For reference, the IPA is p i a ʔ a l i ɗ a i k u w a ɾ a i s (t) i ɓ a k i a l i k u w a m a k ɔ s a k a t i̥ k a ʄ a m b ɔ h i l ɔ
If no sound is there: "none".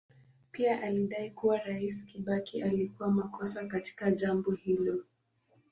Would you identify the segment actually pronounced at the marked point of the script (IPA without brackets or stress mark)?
k